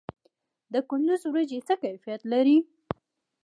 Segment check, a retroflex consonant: absent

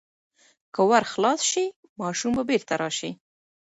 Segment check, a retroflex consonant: absent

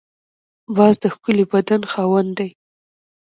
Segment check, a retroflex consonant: absent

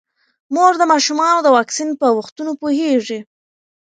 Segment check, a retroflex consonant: present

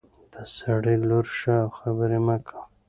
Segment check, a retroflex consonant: present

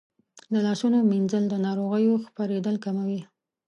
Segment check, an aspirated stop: absent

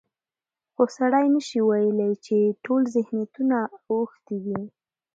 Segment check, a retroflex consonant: present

